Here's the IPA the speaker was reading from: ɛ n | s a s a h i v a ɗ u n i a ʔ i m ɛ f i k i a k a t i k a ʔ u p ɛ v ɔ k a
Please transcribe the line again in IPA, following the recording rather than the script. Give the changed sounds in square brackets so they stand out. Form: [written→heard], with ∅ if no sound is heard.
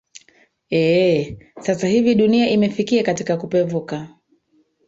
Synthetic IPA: ɛ [n→∅] | s a s a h i v [a→i] ɗ u n i a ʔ i m ɛ f i k i a k a t i k a [ʔ→k] u p ɛ v [ɔ→u] k a